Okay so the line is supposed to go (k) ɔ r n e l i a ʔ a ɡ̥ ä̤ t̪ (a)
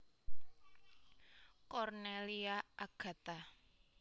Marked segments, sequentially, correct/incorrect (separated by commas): correct, correct